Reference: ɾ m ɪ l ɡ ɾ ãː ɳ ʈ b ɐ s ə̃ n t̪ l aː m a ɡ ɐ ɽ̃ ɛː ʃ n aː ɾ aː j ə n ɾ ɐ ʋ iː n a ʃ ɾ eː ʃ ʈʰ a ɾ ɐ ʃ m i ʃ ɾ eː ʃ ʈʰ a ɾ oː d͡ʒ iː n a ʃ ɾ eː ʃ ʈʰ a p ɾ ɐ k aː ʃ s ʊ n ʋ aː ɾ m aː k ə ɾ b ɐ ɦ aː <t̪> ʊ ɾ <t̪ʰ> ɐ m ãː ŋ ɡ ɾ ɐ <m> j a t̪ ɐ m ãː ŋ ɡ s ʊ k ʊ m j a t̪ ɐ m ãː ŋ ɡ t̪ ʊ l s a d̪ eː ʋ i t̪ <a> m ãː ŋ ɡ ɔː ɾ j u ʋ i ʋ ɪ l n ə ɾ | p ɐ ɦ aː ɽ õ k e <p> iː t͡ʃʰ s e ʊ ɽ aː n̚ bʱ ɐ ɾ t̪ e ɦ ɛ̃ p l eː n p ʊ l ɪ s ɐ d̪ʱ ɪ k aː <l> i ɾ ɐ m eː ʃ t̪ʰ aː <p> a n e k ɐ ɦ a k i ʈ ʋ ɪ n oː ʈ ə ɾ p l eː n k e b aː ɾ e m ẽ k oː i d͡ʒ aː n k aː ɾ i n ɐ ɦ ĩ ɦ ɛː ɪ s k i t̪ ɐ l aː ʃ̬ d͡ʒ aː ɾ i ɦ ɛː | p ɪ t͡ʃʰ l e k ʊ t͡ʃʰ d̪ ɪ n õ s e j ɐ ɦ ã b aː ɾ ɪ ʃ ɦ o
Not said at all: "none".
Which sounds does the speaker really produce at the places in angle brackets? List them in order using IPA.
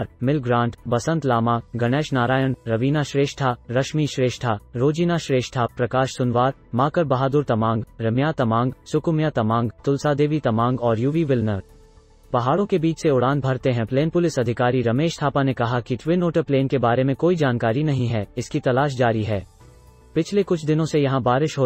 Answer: d̪, t̪, m, ɐ, b, ɾ, p

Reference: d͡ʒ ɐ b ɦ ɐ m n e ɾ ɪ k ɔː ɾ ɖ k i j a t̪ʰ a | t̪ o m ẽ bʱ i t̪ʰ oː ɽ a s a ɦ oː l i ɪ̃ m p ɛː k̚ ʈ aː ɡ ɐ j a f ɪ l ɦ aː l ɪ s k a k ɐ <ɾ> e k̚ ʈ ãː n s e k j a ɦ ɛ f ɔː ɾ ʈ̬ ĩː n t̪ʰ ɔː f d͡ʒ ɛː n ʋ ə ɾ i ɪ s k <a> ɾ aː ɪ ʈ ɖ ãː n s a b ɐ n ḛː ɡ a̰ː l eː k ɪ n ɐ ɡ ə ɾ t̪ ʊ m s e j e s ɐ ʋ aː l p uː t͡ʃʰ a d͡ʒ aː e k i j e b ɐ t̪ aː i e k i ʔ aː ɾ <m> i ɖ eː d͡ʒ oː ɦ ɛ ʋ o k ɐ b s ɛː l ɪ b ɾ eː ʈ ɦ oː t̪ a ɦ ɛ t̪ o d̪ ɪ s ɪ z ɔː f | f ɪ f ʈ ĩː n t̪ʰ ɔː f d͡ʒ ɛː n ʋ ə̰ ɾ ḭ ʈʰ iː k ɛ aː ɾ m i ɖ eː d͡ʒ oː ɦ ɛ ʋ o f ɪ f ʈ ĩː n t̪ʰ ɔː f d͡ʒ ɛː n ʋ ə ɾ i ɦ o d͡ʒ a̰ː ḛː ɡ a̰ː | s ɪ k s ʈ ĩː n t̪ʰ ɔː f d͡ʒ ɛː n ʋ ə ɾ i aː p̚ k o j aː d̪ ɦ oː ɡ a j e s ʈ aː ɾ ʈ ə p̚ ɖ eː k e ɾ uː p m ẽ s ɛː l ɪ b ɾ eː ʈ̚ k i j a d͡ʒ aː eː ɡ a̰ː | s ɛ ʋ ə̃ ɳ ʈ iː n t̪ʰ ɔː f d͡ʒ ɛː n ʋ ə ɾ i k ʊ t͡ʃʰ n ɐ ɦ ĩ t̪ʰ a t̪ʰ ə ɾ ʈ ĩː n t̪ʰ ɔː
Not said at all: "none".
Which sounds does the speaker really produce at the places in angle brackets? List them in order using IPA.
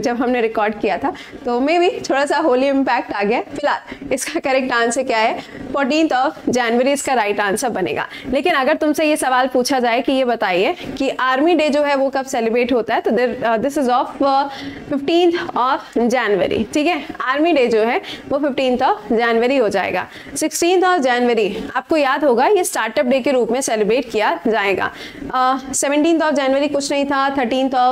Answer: ɾ, a, m

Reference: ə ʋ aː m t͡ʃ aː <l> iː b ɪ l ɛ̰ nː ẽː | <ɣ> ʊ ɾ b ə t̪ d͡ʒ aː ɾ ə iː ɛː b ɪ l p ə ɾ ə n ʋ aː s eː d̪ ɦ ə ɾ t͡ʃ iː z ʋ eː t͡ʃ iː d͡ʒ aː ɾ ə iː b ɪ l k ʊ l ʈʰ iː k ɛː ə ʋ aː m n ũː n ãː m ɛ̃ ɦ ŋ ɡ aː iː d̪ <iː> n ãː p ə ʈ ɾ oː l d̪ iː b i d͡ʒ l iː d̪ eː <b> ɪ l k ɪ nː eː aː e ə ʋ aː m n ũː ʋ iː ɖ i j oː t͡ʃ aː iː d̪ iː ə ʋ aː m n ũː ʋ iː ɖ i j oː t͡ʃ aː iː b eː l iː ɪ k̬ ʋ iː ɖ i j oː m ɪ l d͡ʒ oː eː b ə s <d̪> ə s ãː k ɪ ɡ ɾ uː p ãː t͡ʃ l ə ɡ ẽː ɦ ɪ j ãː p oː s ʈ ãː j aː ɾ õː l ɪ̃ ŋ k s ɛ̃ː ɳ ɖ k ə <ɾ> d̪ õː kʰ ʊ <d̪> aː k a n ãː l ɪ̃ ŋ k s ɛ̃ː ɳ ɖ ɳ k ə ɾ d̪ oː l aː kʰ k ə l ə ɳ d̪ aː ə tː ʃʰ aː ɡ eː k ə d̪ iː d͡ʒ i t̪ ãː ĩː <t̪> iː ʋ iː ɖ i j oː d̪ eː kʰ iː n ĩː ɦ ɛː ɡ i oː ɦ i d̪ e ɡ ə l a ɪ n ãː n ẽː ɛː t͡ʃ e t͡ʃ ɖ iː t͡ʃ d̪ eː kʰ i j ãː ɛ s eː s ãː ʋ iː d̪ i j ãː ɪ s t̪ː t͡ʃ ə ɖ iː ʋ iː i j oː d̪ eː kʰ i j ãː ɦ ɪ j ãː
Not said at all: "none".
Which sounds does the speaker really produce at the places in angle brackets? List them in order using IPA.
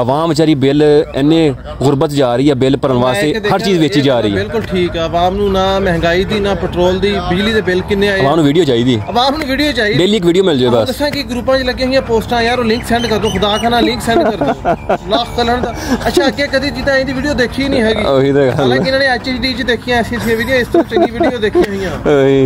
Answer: ɾ, ɣ, iː, b, d̪, ɾ, d̪, d̪

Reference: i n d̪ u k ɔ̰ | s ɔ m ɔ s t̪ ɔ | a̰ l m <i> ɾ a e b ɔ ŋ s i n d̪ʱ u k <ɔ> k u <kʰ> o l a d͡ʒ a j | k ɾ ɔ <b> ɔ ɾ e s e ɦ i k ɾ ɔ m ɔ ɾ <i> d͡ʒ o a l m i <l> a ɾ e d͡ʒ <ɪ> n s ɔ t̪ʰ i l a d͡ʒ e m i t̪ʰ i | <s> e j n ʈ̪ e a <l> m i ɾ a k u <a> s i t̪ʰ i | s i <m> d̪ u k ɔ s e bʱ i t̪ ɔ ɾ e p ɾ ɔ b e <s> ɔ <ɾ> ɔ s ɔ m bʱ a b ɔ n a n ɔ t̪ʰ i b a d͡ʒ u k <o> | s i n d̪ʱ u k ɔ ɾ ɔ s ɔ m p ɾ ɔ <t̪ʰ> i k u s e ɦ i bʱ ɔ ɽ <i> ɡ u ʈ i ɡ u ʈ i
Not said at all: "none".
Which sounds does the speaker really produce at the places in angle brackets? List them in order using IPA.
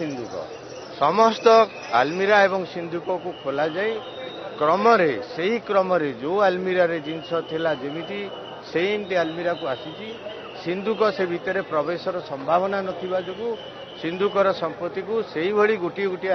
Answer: i, ɔ, kʰ, m, e, ɾ, i, s, l, a, n, s, ɾ, u, t̪, i

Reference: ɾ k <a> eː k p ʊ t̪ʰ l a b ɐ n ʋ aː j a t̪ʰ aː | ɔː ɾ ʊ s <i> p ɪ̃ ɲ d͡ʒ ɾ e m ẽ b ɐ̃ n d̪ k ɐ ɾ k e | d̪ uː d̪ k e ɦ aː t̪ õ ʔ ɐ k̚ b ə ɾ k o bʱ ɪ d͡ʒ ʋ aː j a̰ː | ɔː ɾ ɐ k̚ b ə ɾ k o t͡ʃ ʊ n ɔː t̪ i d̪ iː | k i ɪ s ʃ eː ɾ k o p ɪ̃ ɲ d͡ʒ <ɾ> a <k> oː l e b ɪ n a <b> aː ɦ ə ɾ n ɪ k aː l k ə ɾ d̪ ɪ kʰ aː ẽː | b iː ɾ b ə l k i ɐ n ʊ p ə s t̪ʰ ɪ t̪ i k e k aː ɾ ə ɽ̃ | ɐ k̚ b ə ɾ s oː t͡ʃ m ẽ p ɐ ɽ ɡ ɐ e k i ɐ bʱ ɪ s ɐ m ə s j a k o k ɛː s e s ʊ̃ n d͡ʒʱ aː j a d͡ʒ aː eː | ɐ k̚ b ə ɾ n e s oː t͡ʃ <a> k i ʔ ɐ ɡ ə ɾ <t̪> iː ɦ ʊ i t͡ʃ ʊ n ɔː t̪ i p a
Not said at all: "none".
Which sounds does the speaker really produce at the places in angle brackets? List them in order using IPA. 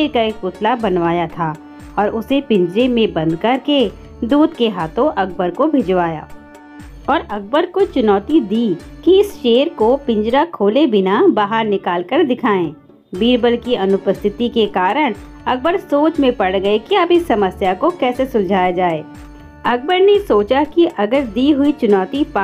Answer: a, e, ɾ, kʰ, b, a, d̪

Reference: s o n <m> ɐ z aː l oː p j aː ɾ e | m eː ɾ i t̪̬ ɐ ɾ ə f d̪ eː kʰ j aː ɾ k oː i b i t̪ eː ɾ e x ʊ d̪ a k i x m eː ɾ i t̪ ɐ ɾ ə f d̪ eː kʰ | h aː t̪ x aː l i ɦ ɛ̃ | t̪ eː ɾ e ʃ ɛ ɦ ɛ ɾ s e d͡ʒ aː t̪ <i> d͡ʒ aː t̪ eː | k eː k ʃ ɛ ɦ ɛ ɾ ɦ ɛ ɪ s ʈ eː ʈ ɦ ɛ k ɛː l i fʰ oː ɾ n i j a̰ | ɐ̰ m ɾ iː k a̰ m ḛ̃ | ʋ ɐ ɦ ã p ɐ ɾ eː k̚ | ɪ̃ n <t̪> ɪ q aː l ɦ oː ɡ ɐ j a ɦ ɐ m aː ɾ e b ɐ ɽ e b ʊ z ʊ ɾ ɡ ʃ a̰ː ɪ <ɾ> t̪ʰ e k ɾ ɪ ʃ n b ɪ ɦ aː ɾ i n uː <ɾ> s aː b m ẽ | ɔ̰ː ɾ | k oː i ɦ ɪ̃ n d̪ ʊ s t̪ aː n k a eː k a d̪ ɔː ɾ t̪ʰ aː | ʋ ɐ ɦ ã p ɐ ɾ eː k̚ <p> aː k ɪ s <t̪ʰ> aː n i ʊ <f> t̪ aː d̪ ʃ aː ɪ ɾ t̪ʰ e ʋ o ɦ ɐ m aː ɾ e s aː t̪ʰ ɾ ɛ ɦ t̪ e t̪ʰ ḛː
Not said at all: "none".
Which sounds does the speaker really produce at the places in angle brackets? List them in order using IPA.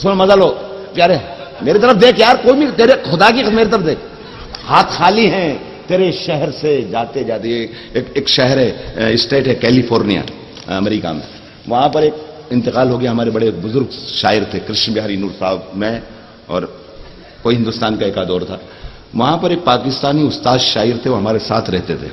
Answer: m, e, t̪, ɾ, ɾ, p, t̪, s

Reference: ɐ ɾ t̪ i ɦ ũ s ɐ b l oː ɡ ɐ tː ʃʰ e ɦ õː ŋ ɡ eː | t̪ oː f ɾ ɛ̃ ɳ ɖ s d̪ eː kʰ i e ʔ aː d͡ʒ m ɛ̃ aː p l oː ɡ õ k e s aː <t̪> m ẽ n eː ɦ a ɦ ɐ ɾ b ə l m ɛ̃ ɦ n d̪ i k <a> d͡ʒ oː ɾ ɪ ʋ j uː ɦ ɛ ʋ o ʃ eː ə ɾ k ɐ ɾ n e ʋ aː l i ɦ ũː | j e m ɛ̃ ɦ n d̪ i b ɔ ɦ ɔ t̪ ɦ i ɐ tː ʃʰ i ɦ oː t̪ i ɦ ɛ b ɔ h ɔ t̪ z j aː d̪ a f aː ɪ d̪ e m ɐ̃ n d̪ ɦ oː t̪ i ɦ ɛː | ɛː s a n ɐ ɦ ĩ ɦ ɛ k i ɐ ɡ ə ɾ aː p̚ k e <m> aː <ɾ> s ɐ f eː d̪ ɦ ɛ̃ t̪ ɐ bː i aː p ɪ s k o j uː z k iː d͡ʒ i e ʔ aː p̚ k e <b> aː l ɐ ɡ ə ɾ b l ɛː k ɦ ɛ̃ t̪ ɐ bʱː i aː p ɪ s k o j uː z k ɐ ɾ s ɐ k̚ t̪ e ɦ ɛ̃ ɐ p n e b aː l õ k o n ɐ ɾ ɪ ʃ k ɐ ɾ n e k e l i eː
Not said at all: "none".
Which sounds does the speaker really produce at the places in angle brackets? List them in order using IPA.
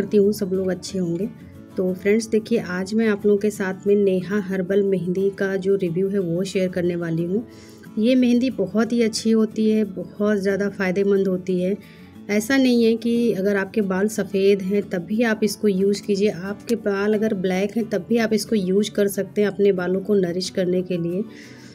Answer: t̪ʰ, a, b, l, b

